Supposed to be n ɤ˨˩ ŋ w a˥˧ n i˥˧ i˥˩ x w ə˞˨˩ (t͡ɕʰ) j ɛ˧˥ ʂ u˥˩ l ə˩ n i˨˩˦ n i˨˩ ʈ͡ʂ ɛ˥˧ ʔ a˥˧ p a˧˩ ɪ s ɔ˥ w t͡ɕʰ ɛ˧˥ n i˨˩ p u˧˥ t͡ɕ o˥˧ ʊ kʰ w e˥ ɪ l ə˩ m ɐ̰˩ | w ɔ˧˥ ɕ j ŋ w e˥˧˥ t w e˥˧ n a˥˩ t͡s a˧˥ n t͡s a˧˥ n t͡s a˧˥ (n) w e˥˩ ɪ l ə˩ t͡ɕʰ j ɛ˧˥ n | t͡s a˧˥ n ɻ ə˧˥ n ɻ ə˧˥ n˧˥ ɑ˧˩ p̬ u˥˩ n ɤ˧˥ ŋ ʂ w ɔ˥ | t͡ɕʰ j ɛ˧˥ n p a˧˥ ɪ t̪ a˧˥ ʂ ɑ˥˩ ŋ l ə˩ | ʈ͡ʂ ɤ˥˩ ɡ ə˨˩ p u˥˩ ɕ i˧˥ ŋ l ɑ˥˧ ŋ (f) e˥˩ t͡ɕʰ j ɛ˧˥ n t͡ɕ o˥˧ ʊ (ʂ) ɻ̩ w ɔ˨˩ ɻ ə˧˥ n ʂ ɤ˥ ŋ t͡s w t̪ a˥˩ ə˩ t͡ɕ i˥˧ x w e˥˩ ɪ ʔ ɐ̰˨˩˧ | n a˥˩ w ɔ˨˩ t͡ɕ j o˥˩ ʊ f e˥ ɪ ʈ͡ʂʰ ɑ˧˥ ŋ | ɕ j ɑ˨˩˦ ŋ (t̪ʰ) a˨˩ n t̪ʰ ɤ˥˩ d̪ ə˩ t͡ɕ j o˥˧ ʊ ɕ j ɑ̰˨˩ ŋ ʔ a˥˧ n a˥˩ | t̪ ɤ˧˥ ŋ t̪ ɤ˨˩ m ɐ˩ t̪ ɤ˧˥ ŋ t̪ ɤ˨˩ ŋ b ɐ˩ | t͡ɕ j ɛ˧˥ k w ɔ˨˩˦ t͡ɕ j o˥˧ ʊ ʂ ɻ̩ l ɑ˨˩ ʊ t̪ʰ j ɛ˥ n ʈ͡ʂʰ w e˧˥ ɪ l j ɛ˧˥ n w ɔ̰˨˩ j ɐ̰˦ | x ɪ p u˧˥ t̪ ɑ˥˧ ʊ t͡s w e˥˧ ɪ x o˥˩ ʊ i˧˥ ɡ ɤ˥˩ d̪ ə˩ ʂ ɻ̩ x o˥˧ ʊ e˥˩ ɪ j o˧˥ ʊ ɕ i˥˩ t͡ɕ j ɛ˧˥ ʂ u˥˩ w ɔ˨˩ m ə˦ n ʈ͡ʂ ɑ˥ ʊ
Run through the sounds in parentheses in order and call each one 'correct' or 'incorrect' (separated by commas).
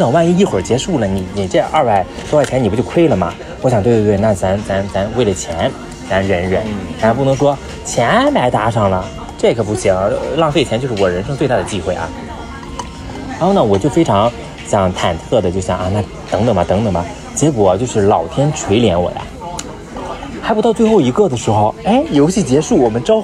incorrect, correct, correct, correct, correct